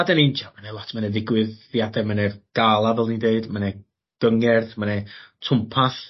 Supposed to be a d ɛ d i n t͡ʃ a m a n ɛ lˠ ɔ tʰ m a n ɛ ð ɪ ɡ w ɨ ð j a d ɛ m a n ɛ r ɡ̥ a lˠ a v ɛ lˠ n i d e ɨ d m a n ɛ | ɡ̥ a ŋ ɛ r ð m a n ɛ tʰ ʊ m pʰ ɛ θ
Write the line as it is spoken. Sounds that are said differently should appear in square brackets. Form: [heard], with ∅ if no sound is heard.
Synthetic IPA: a d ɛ [n] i n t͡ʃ a m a n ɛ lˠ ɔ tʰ m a n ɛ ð ɪ ɡ w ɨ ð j a d ɛ m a n ɛ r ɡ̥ a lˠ a v ɛ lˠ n i d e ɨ d m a n ɛ | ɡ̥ [ə] ŋ ɛ r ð m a n ɛ tʰ ʊ m pʰ [a] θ